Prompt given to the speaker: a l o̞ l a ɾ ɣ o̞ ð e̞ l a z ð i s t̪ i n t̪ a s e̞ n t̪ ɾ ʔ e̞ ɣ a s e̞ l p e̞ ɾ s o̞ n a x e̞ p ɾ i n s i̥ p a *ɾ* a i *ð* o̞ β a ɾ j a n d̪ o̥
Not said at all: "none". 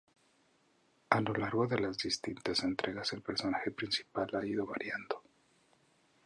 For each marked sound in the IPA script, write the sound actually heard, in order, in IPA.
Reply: l, ð

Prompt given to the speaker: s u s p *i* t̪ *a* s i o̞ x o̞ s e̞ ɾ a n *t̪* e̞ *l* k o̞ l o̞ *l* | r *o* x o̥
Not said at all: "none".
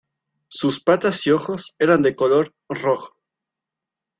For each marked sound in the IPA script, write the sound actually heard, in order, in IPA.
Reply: a, a, d̪, none, ɾ, o

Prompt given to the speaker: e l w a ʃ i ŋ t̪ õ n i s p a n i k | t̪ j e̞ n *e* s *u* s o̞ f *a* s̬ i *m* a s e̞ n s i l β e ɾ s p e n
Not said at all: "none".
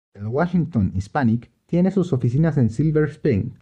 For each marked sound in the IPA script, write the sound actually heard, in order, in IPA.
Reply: e, u, i, n

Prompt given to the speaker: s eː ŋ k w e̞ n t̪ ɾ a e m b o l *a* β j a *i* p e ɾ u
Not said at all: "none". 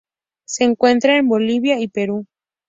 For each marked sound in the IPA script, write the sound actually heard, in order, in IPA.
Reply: i, i

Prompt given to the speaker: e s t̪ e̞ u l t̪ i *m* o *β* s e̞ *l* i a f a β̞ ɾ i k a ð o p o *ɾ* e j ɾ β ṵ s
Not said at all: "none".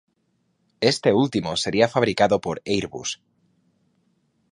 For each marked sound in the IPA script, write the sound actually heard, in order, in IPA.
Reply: m, none, ɾ, ɾ

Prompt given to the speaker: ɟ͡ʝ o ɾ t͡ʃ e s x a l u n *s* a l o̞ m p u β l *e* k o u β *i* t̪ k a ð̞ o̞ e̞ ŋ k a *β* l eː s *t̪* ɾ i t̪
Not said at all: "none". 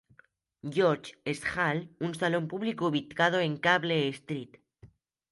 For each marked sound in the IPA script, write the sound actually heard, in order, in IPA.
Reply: s, i, i, β, t̪

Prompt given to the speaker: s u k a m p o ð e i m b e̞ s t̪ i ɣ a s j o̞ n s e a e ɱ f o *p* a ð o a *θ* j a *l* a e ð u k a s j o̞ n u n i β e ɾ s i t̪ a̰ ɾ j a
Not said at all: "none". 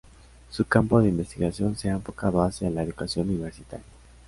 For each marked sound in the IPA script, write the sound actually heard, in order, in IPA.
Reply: k, s, l

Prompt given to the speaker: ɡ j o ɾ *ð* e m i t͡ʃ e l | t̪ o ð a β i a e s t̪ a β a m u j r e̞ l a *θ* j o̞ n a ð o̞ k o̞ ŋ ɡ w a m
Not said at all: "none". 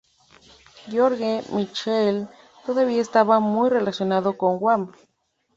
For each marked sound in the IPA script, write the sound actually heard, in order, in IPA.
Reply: ɣ, s

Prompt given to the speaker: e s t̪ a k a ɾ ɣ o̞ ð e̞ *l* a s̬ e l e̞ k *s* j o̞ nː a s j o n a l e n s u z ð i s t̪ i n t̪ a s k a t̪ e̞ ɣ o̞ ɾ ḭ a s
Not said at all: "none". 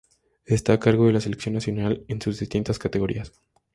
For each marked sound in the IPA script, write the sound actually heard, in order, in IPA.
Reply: l, s

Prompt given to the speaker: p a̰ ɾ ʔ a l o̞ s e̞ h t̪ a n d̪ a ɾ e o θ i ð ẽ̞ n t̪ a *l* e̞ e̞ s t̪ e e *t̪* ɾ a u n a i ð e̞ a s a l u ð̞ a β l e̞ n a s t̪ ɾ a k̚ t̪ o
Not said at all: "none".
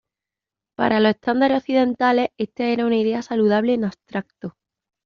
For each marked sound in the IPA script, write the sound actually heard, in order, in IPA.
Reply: l, none

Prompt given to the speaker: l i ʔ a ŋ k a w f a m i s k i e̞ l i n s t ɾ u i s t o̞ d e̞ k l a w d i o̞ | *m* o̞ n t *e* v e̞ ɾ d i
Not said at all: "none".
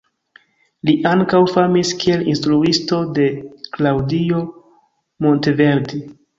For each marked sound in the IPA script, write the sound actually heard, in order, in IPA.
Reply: m, e

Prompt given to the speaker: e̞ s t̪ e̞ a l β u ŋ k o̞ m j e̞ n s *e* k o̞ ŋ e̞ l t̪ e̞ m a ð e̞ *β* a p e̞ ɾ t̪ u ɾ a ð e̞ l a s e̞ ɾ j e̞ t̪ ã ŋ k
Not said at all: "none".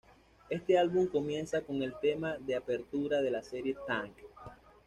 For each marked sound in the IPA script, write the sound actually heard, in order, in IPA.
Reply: a, none

